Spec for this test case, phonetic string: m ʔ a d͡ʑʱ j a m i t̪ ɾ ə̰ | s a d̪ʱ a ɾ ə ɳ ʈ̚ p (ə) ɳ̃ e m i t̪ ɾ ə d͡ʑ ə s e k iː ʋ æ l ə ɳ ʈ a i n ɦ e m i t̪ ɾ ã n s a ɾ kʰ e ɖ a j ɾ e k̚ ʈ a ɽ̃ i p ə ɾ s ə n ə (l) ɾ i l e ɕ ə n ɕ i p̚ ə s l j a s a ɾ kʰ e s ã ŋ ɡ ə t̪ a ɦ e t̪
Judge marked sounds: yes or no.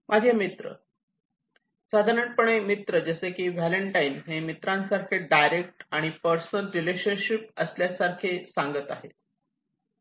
yes, yes

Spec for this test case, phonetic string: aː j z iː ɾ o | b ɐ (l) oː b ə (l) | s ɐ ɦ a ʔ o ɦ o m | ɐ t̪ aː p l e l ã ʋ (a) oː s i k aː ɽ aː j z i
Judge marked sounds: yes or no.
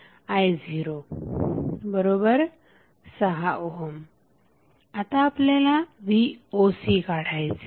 no, no, no

